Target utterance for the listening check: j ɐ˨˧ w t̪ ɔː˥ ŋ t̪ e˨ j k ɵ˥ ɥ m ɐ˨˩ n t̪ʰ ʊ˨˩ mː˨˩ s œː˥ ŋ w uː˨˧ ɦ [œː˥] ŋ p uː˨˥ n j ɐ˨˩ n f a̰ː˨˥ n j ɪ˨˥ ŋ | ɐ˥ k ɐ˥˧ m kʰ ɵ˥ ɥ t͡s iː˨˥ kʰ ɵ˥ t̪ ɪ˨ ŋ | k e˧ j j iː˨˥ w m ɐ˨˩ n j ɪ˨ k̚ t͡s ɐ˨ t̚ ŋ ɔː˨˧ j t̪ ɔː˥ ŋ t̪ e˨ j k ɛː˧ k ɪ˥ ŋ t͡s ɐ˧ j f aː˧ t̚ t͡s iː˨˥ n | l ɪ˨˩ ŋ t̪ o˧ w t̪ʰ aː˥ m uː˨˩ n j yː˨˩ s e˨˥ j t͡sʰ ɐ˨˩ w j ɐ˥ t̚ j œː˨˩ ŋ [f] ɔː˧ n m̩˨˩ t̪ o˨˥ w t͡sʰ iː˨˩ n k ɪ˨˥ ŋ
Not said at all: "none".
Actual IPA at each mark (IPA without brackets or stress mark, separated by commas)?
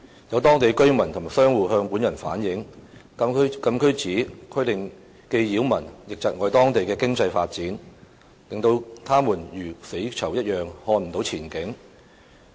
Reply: œː˧, h